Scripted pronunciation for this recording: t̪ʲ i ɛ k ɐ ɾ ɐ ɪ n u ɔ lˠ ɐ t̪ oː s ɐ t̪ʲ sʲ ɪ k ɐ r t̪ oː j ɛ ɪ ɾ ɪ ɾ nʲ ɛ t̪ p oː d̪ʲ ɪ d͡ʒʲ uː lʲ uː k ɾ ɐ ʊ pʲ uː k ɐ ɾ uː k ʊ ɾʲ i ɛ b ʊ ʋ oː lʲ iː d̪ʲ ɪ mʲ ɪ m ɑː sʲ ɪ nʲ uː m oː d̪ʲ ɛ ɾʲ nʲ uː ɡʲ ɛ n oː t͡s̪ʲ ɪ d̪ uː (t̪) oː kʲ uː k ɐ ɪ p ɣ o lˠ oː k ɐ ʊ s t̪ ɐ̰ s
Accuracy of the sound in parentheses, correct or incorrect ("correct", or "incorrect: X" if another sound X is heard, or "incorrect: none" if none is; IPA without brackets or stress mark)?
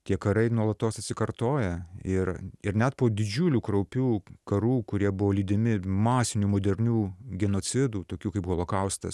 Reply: correct